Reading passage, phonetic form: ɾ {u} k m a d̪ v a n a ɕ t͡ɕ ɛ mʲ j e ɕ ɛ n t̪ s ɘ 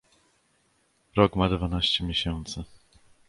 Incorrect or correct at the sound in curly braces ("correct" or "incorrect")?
incorrect